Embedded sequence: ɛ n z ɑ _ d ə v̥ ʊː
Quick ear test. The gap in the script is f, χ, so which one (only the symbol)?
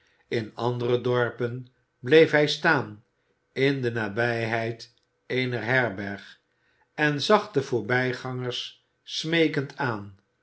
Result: χ